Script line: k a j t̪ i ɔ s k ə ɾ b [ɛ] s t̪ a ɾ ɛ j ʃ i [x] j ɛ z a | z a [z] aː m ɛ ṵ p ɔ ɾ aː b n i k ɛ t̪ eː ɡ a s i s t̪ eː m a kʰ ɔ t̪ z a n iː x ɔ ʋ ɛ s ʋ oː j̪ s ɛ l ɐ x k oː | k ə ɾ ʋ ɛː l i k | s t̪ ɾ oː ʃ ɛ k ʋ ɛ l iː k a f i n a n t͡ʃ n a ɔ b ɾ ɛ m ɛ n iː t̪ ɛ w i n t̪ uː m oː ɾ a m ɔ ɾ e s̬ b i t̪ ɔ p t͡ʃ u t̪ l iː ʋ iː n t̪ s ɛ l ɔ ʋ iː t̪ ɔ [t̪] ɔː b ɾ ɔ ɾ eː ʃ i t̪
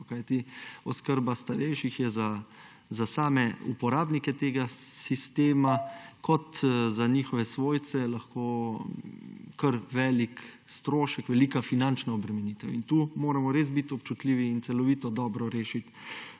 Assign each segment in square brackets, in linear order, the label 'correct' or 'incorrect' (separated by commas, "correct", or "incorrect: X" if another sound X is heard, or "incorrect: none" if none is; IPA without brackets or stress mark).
incorrect: a, correct, incorrect: s, incorrect: d̪